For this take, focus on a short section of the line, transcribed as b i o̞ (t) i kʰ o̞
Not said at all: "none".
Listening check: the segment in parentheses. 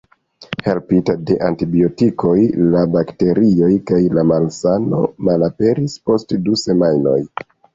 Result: t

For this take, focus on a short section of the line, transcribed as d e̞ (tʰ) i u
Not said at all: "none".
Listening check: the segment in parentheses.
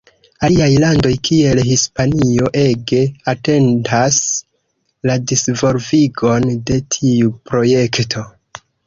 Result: tʰ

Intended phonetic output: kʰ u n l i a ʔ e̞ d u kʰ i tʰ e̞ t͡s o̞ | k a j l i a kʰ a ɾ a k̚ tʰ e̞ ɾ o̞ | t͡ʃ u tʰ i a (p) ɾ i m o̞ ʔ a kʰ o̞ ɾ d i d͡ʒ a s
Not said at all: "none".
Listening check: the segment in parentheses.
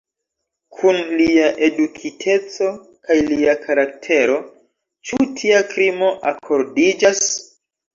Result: k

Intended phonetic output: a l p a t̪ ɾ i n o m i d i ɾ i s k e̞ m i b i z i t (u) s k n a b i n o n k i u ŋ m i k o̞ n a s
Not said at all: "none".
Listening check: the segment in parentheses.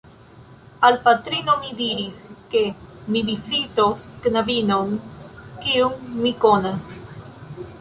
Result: o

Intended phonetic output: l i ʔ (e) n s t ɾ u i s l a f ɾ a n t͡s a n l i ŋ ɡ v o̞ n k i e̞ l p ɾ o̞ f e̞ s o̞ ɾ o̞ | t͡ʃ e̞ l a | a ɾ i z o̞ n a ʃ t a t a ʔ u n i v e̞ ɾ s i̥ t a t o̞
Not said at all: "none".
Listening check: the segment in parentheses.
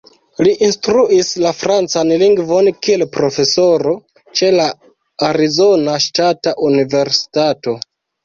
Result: i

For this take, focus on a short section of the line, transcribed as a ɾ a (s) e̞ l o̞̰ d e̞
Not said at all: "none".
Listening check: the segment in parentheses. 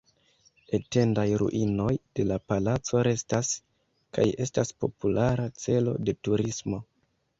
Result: t͡s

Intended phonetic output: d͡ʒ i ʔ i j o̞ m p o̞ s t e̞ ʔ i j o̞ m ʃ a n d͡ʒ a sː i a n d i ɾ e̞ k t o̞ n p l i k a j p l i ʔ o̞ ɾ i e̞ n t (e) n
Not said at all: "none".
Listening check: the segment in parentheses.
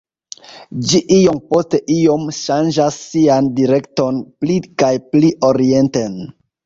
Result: e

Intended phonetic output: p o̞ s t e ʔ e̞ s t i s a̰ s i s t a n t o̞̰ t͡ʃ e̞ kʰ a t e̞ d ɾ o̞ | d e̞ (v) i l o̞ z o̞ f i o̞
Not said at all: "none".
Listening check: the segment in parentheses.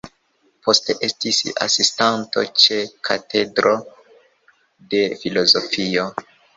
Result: f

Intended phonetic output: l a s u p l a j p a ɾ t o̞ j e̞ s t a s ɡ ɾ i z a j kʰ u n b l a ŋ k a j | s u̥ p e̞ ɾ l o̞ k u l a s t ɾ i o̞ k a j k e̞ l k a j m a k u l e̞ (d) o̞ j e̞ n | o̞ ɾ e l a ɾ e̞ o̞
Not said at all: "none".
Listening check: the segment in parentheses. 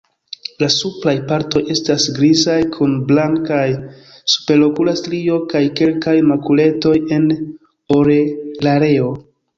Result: t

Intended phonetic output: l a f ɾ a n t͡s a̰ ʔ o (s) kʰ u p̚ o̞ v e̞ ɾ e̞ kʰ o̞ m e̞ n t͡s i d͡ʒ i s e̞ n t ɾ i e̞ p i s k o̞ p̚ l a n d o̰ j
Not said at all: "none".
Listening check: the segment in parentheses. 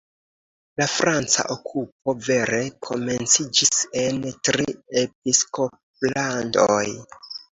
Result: none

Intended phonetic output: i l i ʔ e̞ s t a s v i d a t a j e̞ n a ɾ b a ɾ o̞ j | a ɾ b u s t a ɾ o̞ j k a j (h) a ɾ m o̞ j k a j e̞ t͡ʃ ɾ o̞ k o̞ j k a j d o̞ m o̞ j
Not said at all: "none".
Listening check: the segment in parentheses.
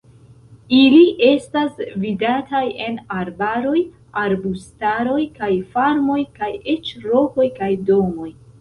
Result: f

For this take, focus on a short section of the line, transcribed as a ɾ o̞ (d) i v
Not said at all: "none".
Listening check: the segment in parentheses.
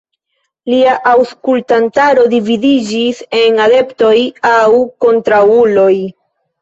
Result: d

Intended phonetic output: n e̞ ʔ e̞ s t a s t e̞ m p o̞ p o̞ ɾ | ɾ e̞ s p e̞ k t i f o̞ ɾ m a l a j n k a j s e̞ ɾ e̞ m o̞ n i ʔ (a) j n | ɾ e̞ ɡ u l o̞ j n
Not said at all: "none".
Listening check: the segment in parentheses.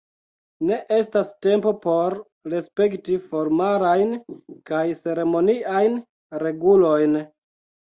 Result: a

